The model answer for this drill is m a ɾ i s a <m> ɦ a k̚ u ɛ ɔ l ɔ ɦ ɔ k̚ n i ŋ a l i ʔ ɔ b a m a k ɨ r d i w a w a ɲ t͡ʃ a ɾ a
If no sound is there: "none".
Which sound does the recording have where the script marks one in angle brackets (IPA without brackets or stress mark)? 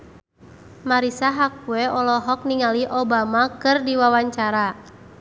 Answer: none